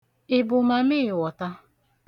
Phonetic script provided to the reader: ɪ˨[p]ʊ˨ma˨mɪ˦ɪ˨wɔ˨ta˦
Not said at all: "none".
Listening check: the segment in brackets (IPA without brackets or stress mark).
b